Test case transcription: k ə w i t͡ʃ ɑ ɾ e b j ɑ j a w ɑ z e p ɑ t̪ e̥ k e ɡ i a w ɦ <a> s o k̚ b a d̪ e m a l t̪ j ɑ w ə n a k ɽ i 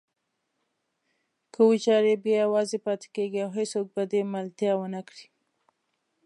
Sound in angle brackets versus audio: incorrect: e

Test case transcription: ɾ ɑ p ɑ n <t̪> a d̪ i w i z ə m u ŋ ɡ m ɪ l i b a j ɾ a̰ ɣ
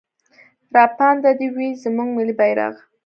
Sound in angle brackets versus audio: incorrect: d̪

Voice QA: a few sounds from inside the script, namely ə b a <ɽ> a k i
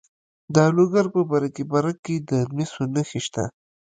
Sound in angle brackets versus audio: incorrect: ɾ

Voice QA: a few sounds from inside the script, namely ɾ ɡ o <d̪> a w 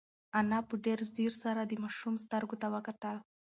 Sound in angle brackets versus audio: incorrect: t̪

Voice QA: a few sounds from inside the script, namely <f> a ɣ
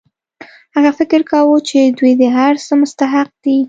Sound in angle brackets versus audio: incorrect: h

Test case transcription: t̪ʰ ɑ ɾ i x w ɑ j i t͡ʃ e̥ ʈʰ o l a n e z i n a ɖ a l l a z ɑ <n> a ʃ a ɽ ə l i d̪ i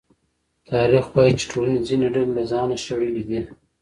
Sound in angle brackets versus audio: correct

